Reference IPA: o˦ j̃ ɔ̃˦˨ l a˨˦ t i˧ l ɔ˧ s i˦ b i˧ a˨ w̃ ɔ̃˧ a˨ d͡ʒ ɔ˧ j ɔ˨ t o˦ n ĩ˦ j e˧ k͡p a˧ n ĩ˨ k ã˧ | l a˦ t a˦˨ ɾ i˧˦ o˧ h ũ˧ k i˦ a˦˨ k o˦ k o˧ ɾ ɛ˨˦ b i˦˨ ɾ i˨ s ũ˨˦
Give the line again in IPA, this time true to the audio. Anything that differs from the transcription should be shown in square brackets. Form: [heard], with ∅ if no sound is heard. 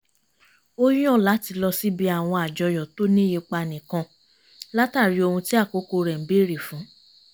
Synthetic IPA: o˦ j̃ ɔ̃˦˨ l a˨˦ t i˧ l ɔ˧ s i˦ b i˧ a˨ w̃ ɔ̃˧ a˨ d͡ʒ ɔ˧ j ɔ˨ t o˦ n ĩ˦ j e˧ k͡p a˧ n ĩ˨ k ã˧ | l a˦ t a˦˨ ɾ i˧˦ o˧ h ũ˧ [t] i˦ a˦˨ k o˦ k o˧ ɾ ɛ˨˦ b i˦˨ ɾ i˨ [f] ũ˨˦